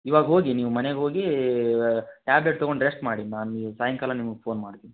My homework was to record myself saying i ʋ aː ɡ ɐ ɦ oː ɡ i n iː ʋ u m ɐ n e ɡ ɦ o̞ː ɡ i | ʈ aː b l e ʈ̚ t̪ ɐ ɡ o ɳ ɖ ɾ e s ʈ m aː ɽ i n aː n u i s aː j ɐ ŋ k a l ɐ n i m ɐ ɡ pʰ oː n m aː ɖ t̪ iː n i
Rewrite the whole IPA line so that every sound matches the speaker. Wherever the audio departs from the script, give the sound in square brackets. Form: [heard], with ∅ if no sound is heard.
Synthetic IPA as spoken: i ʋ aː ɡ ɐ ɦ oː ɡ i n iː ʋ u m ɐ n e ɡ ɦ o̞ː ɡ i | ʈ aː b l e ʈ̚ t̪ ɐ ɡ o ɳ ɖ ɾ e s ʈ m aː ɽ i n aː n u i s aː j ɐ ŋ k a l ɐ n i m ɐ ɡ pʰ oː n m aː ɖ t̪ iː n i